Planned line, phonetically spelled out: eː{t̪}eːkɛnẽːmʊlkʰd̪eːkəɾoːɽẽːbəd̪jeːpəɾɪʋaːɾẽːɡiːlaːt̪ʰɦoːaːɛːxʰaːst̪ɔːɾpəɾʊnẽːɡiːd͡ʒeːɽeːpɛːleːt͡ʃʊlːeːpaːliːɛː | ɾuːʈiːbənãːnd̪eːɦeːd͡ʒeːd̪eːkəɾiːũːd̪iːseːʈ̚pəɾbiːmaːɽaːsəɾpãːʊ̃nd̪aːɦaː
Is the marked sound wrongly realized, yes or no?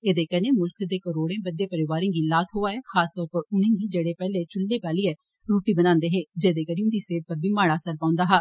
yes